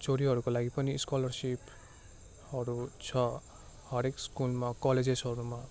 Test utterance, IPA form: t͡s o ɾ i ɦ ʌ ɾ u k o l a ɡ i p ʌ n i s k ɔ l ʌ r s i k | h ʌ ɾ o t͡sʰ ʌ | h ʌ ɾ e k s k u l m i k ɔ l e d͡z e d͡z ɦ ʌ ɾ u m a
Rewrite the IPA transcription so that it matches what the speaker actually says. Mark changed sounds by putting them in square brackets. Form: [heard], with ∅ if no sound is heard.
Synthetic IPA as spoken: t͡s o ɾ i ɦ ʌ ɾ u k o l a ɡ i p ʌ n i s k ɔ l ʌ r s i [p] | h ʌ ɾ [u] t͡sʰ ʌ | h ʌ ɾ e k s k u l m [a] k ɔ l e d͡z e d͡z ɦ ʌ ɾ u m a

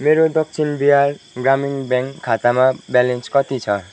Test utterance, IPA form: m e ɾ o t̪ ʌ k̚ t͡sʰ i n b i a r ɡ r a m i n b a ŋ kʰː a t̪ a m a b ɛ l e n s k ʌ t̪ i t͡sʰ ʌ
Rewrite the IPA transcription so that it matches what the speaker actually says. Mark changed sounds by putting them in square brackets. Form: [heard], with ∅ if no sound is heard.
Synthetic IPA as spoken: m e ɾ o [d̪] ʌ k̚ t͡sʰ i n b i a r ɡ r a m i [ŋ] b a ŋ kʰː a t̪ a m a b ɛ l e n s k ʌ t̪ i t͡sʰ ʌ

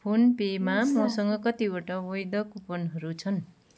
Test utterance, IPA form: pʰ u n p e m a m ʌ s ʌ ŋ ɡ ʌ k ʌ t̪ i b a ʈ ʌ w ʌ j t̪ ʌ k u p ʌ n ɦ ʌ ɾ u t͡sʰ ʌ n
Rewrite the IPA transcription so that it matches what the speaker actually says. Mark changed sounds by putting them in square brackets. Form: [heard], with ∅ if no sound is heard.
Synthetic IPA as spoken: pʰ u n p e m a m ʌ s ʌ ŋ ɡ ʌ k ʌ t̪ i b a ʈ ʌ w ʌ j [d̪] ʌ k u p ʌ n ɦ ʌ ɾ u t͡sʰ ʌ n

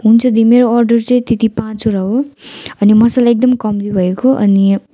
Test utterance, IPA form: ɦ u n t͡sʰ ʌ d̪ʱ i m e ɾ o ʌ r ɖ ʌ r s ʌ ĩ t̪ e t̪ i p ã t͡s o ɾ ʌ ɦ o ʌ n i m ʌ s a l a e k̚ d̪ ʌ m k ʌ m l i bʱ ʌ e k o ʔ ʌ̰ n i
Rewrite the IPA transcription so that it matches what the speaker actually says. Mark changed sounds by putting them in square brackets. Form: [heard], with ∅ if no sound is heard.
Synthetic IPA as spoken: ɦ u n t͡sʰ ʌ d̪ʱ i m e ɾ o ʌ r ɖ ʌ r [t͡s] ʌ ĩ t̪ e t̪ i p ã t͡s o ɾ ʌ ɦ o ʌ n i m ʌ s a l a e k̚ d̪ ʌ m k ʌ m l i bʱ ʌ e k o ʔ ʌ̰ n i

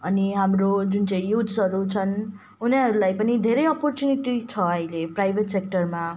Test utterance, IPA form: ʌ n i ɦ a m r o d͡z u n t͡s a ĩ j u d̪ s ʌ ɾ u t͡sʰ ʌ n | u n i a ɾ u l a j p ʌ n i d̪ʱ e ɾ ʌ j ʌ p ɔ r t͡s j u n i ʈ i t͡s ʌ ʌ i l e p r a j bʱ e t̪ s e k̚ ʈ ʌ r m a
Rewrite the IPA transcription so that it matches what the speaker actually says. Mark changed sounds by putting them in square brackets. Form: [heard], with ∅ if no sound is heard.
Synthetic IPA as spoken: ʌ n i ɦ a m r o d͡z u n t͡s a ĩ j u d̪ s ʌ ɾ u t͡sʰ ʌ n | u n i [ʌ] ɾ u l a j p ʌ n i d̪ʱ e ɾ ʌ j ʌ p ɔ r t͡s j u n i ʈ i [t͡sʰ] ʌ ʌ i l e p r a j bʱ e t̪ s e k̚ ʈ ʌ r m a

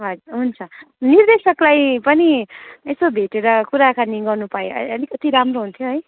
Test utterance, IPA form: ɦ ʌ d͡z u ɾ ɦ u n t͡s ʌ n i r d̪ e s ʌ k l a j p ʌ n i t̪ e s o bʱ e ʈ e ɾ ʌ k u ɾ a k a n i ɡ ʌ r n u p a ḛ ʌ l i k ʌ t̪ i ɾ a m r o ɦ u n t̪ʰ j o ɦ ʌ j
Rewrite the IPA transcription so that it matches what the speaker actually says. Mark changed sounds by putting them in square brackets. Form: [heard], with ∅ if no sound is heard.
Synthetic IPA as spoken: ɦ ʌ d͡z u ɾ ɦ u n [t͡sʰ] ʌ n i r d̪ e s ʌ k l a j p ʌ n i [∅] e s o bʱ e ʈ e ɾ ʌ k u ɾ a k a n i ɡ ʌ r n u p a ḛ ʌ l i k ʌ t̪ i ɾ a m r o ɦ u n t̪ʰ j o ɦ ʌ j

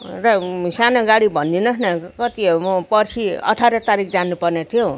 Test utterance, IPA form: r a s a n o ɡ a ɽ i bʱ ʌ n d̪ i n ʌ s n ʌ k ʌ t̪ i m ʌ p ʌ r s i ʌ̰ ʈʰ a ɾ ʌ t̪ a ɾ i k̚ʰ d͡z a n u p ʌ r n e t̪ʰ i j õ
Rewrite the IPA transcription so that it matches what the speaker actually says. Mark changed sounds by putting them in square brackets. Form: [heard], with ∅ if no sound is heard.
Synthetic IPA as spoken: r [ʌ] s a n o ɡ a ɽ i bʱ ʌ n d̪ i n ʌ s n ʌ k ʌ t̪ i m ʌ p ʌ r s i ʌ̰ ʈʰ a ɾ ʌ t̪ a ɾ i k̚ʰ d͡z a n u p ʌ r n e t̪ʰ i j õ

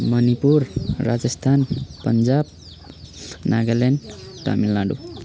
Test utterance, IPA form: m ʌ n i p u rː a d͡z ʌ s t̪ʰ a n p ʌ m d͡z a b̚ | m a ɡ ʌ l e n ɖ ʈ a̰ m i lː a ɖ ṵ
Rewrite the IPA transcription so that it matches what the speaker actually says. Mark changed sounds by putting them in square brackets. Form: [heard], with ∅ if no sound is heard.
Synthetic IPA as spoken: m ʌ n i p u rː a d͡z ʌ s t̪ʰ a n p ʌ [n] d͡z a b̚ | [n] a ɡ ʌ l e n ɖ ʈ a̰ m i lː a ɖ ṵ

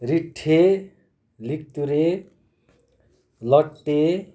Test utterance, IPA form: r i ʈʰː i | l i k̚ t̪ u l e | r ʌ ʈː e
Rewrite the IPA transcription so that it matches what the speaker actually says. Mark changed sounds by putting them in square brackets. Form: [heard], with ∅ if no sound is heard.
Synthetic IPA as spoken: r i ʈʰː [e] | l i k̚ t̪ u [ɾ] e | [l] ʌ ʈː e

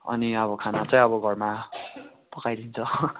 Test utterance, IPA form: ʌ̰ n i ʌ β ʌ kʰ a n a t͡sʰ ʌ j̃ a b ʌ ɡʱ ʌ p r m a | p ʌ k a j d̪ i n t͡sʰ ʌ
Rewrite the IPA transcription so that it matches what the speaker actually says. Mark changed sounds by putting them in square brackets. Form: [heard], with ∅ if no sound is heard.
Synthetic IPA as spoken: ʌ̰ n i ʌ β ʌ kʰ a n a [t͡s] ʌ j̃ [ʌ] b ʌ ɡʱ ʌ [∅] r m a | p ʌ k a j d̪ i n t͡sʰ ʌ

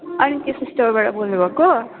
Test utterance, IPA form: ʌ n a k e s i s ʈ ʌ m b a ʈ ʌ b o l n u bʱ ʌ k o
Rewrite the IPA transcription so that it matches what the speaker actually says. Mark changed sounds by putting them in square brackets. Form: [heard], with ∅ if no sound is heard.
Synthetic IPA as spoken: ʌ n [i] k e s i s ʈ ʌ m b a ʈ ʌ b o l n u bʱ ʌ k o

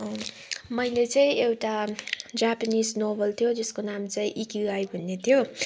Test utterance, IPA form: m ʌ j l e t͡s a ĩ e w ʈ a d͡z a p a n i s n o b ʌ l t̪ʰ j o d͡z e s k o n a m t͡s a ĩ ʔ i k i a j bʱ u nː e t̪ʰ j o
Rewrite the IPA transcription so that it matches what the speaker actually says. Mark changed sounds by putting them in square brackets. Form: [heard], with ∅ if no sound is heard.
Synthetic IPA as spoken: m ʌ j l e t͡s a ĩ e w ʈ a d͡z a p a n i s n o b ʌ l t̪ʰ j o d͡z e s k o n a m t͡s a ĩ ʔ i k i a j bʱ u nː e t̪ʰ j o

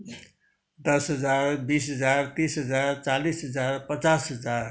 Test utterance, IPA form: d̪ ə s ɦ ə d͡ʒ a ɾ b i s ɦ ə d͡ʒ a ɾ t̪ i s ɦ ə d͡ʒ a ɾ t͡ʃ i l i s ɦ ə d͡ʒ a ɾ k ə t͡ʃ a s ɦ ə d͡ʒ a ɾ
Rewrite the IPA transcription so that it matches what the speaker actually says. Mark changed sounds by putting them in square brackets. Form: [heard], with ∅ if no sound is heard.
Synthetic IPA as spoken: d̪ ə s ɦ ə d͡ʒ a ɾ b i s ɦ ə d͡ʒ a ɾ t̪ i s ɦ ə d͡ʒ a ɾ t͡ʃ [a] l i s ɦ ə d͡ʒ a ɾ [p] ə t͡ʃ a s ɦ ə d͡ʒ a ɾ

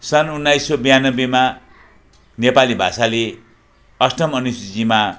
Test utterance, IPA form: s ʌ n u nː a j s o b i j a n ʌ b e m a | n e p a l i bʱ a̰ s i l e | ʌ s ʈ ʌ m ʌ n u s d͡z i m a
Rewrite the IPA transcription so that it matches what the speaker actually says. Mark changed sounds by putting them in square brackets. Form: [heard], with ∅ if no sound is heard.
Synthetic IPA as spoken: s ʌ n u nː a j s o b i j a n ʌ b e m a | n e p a l i bʱ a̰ s [a] l e | ʌ s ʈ ʌ m ʌ n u s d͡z i m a

